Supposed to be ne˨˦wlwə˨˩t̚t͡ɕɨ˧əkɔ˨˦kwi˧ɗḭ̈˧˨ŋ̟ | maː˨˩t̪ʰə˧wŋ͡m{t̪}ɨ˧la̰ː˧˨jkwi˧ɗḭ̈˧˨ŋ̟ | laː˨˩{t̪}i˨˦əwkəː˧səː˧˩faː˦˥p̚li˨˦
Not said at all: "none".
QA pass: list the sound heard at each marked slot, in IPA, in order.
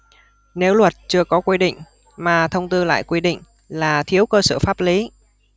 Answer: t̪, t̪ʰ

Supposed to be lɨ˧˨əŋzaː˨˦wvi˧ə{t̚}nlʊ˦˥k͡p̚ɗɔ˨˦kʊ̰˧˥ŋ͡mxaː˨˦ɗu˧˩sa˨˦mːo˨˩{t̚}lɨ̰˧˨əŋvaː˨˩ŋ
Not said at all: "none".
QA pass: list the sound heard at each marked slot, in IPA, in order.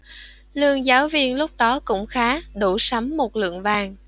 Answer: none, t̚

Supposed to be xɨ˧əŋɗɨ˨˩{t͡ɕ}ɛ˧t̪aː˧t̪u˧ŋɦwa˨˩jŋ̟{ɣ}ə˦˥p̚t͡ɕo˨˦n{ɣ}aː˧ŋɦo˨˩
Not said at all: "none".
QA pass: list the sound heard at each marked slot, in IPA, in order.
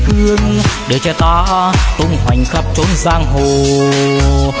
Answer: t͡ɕ, x, z

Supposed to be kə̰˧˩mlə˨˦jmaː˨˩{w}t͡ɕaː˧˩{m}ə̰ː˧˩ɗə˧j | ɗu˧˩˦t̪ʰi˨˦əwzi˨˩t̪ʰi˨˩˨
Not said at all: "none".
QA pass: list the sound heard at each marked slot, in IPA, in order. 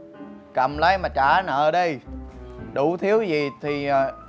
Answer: none, n

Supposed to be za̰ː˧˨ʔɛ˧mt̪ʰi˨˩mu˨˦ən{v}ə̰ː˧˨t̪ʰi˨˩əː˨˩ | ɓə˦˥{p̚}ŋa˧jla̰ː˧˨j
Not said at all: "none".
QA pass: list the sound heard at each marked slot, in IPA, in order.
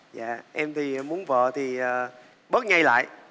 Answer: v, t̚

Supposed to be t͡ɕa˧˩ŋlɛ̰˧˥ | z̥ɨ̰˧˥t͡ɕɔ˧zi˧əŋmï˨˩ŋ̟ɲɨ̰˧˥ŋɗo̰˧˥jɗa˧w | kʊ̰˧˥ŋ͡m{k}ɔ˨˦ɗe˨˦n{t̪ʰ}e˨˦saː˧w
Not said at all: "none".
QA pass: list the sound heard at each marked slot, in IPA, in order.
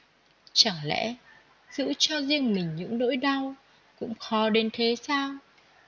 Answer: x, t̪ʰ

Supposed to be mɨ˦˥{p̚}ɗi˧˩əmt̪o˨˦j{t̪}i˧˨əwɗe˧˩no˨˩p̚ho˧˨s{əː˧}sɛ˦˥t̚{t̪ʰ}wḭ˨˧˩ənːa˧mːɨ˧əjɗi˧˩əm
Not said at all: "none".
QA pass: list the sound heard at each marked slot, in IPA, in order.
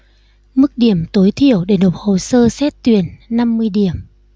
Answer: k̚, t̪ʰ, əː˧, t̪

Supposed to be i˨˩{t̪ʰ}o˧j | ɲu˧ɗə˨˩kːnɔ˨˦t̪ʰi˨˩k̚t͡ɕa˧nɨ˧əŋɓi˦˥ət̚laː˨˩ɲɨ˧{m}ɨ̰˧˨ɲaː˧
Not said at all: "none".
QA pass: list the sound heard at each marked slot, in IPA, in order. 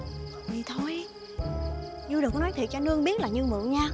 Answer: t̪ʰ, m

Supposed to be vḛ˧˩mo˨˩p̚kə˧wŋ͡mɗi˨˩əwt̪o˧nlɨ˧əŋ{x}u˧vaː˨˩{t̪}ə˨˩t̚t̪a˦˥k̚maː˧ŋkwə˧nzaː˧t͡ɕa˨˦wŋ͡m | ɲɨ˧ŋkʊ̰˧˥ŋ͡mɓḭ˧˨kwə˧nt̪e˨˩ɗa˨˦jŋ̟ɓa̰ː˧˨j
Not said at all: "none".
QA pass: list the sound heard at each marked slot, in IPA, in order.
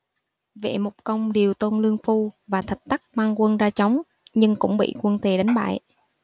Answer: f, t̪ʰ

